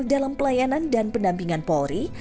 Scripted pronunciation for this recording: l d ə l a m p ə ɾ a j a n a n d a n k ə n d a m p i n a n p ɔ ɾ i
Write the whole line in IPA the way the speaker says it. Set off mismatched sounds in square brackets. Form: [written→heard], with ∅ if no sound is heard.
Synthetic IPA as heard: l d [ə→a] l a m p ə [ɾ→l] a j a n a n d a n [k→p] ə n d a m p i [n→ŋ] a n p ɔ ɾ i

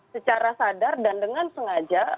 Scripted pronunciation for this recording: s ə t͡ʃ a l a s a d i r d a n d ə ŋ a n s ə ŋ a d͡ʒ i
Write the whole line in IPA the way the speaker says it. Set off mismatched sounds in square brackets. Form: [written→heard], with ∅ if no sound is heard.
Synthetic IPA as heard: s ə t͡ʃ a [l→ɾ] a s a d [i→a] r d a n d ə ŋ a n s ə ŋ a d͡ʒ [i→a]

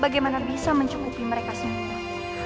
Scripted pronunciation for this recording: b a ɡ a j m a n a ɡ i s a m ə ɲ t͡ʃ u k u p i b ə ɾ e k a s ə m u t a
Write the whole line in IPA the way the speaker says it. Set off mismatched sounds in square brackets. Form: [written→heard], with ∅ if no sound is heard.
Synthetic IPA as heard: b a ɡ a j m a n a [ɡ→b] i s a m ə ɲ t͡ʃ u k u p i [b→m] ə ɾ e k a s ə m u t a

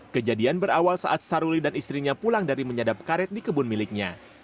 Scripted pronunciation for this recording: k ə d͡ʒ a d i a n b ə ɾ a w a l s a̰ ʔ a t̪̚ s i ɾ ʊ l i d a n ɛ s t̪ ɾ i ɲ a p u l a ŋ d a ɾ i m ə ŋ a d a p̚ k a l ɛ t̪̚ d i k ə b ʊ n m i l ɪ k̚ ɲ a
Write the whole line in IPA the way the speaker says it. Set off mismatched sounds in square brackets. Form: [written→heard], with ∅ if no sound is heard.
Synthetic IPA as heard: k ə d͡ʒ a d i a n b ə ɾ a w a l s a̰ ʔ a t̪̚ s [i→a] ɾ [ʊ→u] l i d a n [ɛ→i] s t̪ ɾ i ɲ a p u l a ŋ d a ɾ i m ə [ŋ→ɲ] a d a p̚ k a [l→ɾ] ɛ t̪̚ d i k ə b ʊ n m i l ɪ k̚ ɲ a

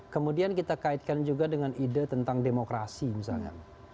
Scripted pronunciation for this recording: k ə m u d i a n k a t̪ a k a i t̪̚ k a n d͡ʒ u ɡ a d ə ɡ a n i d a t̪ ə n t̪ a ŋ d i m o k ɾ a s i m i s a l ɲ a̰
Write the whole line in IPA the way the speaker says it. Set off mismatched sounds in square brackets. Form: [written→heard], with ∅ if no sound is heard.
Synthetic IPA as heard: k ə m u d i a n k [a→i] t̪ a k a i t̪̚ k a n d͡ʒ u ɡ a d ə [ɡ→ŋ] a n i d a t̪ ə n t̪ a ŋ d [i→e] m o k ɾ a s i m i s a l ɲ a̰

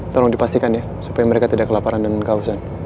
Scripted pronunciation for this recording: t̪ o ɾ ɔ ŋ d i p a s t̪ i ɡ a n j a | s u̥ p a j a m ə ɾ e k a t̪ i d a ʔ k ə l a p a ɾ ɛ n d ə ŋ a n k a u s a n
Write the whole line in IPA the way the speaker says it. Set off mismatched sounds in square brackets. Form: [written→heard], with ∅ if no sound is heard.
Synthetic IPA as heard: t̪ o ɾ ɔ ŋ d i p a s t̪ i [ɡ→k] a n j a | s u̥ p a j a m ə ɾ e k a t̪ i d a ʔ k ə l a p a ɾ [ɛ→a] n d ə ŋ a n k a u s a n

